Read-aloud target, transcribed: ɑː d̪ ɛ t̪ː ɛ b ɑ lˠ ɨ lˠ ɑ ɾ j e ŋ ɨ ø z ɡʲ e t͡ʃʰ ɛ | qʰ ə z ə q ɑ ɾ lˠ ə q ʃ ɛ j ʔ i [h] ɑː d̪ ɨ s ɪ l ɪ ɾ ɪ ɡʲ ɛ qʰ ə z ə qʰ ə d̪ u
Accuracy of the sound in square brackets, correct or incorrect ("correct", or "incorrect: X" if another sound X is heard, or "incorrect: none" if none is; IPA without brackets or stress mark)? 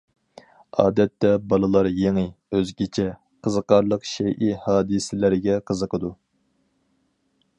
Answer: correct